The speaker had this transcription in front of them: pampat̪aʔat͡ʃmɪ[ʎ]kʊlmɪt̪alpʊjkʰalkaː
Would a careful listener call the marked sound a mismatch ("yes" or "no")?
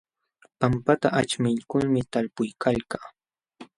no